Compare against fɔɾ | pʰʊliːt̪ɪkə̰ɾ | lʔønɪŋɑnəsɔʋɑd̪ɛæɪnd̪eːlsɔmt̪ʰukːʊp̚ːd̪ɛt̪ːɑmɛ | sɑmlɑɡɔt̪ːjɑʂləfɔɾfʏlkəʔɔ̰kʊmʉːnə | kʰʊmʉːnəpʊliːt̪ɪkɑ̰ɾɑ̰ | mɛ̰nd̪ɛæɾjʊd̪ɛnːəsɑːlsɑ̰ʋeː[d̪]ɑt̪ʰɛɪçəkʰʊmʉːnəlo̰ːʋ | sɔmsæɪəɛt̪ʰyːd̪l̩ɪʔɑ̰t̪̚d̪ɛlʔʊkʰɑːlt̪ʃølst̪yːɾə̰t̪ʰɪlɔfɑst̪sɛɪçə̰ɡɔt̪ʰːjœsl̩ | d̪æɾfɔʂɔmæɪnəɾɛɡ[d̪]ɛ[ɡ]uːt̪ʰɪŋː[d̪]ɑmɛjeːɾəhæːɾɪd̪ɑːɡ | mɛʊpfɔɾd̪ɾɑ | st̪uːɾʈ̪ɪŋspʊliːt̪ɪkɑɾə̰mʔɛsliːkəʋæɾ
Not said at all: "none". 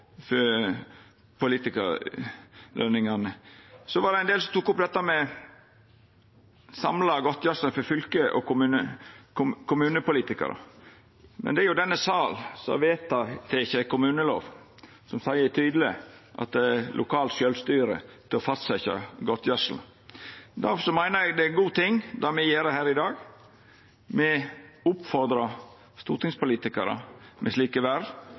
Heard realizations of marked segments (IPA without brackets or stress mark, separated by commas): t̪, d̪, ɡ, d̪